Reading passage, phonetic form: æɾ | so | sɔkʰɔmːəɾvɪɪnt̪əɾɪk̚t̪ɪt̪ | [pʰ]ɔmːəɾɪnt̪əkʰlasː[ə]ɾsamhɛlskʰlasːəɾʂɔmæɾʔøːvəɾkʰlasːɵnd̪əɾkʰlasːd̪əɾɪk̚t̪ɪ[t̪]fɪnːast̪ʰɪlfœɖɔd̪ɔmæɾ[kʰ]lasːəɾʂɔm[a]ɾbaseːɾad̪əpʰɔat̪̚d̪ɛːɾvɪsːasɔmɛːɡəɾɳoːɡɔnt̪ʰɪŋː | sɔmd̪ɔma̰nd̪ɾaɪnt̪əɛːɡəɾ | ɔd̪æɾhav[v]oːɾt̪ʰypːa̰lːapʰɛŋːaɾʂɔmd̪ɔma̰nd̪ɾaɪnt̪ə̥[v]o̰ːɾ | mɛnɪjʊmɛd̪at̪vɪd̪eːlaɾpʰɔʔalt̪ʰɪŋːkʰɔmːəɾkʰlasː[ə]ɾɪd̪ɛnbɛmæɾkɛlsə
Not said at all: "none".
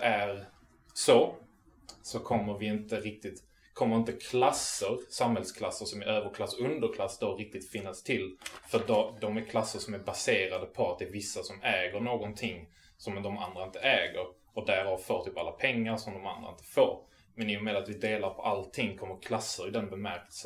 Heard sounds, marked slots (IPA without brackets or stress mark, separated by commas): kʰ, ə, t̪, kʰ, æ, f, f, ə